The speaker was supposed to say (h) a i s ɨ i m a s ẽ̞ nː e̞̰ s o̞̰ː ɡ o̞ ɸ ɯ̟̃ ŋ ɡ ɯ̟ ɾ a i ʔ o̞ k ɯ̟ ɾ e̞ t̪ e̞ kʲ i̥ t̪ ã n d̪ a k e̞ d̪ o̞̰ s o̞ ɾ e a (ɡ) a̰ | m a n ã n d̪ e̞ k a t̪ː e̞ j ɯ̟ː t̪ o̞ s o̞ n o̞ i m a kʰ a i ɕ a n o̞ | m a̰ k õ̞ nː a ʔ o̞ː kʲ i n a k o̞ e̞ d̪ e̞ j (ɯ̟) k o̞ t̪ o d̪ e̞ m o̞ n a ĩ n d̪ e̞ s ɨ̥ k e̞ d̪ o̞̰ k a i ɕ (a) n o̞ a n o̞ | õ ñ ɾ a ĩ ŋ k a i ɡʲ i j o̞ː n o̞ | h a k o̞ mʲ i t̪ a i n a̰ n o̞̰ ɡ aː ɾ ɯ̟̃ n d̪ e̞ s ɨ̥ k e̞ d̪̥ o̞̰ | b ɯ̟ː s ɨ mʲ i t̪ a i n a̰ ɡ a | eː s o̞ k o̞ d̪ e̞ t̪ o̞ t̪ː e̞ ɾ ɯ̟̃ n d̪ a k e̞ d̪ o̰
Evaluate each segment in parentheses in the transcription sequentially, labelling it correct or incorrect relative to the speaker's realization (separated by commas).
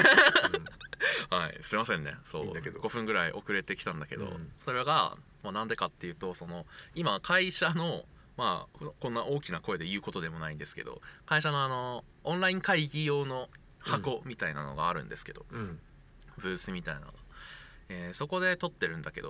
correct, correct, incorrect, correct